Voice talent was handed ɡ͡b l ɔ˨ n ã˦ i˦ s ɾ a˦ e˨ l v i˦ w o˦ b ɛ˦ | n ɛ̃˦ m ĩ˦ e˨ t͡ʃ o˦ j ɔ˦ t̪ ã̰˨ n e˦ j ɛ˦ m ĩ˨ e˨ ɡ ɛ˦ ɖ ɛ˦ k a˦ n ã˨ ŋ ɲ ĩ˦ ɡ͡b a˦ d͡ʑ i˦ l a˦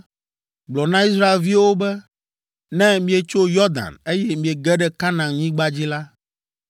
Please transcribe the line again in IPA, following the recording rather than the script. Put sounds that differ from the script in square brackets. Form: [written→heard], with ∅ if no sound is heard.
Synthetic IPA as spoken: ɡ͡b l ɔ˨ n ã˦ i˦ s ɾ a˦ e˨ l v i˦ w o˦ b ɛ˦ | n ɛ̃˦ m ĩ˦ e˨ t͡ʃ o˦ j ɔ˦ [t̪→d̪] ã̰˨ n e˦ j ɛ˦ m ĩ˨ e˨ ɡ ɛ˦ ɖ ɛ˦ k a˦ n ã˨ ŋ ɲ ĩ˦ ɡ͡b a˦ d͡ʑ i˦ l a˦